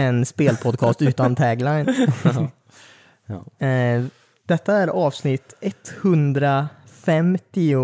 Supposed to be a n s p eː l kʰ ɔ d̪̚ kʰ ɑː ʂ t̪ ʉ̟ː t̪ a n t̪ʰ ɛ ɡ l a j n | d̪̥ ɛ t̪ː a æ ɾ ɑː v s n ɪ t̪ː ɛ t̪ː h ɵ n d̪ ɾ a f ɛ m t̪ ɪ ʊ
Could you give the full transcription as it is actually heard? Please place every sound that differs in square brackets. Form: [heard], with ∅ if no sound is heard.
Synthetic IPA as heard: [ɛ] n s p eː l [pʰ] ɔ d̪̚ kʰ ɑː [s] t̪ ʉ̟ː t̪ a n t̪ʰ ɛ ɡ l a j n | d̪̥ ɛ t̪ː a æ ɾ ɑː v s n ɪ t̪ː ɛ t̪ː h ɵ n d̪ ɾ a f ɛ m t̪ ɪ ʊ